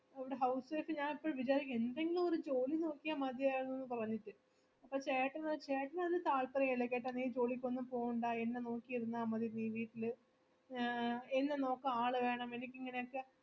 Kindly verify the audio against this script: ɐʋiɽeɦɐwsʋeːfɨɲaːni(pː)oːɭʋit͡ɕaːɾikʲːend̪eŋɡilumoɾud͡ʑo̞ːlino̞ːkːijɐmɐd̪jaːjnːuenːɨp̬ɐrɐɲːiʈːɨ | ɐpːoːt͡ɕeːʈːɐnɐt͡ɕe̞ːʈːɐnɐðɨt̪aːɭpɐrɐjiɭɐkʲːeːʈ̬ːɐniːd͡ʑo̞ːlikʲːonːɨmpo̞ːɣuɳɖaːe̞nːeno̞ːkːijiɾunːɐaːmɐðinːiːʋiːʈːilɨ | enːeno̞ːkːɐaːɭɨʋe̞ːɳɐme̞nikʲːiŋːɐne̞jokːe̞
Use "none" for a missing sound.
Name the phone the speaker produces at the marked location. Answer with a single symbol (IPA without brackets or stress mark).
pː